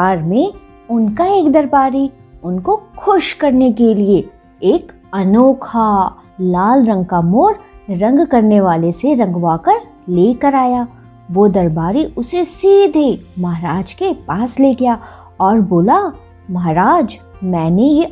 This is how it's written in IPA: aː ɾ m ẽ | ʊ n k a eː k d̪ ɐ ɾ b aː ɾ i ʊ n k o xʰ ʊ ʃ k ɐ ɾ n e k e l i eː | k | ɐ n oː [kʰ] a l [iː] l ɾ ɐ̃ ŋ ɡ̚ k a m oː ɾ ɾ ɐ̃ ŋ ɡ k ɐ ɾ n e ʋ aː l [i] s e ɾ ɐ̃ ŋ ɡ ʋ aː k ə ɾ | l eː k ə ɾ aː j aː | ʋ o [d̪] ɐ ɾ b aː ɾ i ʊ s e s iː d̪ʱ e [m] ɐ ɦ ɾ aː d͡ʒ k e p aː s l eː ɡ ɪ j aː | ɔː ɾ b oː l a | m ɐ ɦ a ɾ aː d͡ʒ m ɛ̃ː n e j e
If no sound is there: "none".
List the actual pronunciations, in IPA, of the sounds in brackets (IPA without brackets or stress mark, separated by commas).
kʰ, aː, e, d̪, m